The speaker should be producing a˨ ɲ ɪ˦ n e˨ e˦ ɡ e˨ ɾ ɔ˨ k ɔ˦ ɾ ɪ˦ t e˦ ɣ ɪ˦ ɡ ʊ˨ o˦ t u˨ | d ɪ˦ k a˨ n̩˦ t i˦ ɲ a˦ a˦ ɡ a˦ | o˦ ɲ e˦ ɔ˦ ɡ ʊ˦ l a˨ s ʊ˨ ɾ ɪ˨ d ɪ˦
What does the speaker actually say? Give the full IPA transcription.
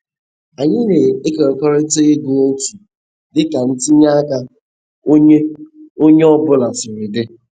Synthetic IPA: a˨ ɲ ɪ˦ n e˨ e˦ k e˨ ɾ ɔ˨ k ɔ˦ ɾ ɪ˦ t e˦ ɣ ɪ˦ ɡ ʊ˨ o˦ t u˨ | d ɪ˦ k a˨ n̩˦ t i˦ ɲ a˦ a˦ k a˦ | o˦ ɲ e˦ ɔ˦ b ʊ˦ l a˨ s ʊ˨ ɾ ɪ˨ d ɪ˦